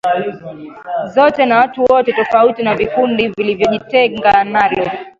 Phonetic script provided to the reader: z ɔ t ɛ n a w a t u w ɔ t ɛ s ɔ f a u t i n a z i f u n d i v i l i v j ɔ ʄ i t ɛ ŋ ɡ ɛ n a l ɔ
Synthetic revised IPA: z ɔ t ɛ n a w a t u w ɔ t ɛ t ɔ f a u t i n a v i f u n d i v i l i v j ɔ ʄ i t ɛ ŋ ɡ a n a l ɔ